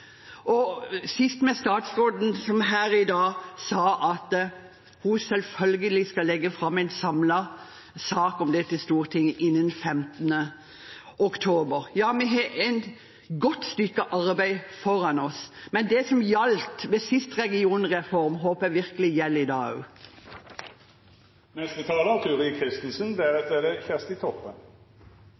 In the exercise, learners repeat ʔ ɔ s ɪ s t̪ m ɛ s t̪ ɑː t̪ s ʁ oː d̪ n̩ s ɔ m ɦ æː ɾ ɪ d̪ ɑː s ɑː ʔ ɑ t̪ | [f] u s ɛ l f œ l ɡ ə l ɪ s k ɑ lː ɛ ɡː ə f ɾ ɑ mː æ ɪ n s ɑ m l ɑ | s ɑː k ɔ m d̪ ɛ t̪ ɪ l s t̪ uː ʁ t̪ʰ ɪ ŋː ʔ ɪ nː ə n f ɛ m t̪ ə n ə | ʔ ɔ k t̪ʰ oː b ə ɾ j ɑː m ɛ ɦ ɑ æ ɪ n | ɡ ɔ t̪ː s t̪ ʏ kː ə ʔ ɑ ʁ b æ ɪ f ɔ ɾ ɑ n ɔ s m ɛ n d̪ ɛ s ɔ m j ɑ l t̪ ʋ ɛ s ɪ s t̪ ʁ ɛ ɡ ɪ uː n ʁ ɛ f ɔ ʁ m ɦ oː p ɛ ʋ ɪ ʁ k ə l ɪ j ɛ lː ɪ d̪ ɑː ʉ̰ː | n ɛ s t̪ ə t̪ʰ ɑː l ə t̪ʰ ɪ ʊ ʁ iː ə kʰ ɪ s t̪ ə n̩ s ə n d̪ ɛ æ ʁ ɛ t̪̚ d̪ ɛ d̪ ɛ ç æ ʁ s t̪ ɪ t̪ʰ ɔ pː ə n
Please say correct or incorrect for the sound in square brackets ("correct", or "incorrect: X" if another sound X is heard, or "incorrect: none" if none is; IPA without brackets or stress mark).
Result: incorrect: h